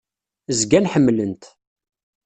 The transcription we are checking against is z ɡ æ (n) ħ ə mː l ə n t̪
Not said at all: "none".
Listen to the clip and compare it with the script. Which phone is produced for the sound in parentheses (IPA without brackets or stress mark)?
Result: n